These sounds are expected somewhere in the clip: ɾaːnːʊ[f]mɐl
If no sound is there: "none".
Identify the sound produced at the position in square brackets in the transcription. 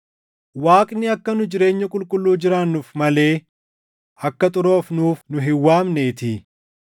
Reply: f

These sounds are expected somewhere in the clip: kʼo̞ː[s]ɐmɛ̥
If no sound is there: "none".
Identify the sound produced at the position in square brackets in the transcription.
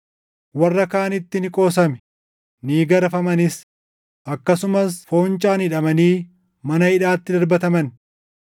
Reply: s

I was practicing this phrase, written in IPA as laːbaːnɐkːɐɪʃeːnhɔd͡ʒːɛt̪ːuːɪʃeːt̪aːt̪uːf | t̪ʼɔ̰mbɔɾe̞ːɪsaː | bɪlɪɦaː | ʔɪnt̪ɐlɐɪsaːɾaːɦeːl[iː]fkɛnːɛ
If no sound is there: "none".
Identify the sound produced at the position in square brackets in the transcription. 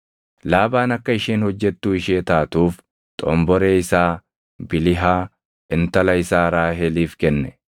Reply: iː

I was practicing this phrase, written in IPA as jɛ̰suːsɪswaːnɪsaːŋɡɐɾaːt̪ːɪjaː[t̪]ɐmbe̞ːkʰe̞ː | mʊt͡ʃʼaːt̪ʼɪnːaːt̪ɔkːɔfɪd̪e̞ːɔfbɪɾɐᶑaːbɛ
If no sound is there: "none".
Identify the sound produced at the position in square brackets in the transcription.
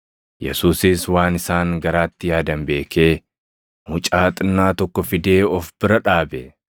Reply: d̪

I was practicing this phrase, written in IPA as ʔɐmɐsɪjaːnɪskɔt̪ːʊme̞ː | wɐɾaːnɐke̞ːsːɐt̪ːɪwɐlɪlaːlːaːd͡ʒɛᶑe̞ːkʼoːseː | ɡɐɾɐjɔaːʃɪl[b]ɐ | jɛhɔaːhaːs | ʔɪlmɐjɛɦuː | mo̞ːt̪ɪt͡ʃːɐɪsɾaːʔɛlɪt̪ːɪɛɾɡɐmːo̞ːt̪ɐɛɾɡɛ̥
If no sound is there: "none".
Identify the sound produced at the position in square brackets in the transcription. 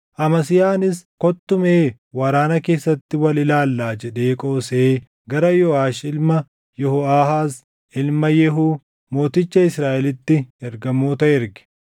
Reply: m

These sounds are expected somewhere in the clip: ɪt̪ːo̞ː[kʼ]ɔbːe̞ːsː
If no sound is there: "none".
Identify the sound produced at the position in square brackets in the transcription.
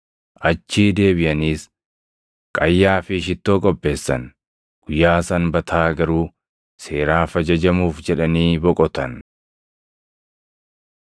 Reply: kʼ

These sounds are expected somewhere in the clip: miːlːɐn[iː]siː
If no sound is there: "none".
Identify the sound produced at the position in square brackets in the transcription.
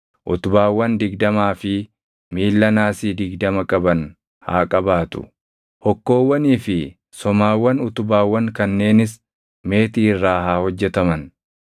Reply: aː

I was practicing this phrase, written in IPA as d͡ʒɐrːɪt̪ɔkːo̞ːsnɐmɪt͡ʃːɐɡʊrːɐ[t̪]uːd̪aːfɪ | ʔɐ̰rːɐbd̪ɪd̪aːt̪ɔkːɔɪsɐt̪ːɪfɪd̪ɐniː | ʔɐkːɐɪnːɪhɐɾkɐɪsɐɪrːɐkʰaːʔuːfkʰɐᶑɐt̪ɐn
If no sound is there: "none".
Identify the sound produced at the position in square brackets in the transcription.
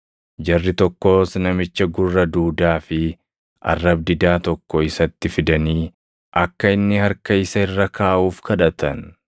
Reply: d̪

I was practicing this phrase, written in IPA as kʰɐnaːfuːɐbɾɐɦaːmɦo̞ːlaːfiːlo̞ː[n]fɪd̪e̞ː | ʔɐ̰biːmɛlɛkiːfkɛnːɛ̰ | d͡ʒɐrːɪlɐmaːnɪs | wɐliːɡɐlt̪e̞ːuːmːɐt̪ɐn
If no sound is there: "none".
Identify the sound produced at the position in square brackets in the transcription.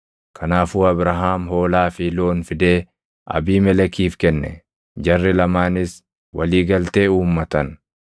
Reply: n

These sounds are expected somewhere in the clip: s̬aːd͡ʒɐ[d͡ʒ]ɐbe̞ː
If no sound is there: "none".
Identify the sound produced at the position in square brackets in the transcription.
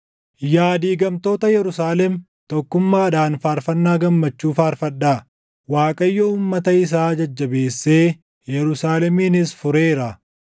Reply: d͡ʒː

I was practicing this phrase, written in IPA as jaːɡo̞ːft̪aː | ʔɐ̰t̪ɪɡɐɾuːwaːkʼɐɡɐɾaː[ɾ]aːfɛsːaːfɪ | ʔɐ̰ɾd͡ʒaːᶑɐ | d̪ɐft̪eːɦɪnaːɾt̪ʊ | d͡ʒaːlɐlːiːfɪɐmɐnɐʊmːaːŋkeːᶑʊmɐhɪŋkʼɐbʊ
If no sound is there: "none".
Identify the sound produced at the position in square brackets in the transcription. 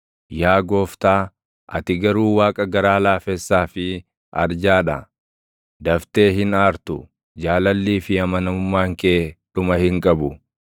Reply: l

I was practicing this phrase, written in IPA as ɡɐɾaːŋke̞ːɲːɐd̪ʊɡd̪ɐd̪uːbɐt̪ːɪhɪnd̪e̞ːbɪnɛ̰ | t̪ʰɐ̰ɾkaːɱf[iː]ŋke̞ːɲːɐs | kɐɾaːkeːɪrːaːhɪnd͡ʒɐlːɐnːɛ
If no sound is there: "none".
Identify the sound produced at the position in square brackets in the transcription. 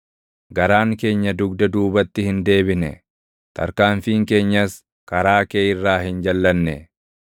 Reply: iː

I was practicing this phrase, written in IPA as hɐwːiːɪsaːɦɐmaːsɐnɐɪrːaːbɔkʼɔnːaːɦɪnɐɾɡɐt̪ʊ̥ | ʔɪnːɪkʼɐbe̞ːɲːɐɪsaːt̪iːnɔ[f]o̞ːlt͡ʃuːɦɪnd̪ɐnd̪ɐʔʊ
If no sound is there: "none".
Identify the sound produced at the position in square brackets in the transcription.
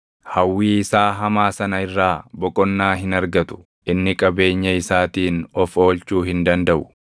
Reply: f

